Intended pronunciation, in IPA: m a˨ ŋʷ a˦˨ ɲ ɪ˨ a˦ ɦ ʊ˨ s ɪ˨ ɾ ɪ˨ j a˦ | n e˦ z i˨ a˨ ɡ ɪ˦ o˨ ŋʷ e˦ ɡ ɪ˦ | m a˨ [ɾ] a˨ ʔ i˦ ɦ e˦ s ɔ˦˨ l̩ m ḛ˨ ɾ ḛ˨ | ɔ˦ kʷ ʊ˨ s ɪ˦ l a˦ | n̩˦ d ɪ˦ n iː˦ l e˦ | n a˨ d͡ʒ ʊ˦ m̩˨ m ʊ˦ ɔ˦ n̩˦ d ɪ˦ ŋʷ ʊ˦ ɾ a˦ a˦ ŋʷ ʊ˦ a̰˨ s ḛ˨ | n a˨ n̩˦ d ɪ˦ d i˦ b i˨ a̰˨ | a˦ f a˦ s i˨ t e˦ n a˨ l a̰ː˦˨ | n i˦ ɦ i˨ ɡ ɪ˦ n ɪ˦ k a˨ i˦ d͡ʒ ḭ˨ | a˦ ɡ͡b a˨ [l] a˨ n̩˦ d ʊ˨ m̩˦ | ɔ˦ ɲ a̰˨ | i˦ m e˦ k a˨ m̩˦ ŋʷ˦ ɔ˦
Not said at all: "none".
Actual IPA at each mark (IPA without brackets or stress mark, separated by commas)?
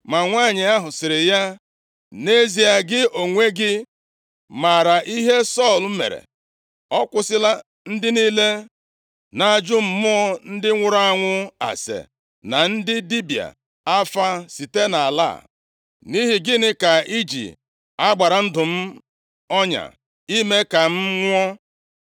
ɾ, ɾ